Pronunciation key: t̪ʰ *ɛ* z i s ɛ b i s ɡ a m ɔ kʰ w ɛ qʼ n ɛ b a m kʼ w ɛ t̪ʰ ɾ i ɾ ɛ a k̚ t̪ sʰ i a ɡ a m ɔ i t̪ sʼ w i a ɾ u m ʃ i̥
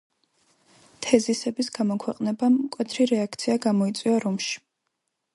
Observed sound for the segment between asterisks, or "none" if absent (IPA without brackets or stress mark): ɛ